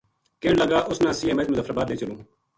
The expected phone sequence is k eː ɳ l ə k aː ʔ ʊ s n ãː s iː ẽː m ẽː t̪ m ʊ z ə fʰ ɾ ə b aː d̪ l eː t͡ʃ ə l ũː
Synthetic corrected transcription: k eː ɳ l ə ɡ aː ʔ ʊ s n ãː s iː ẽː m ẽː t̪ m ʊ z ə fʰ ɾ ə b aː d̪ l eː t͡ʃ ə l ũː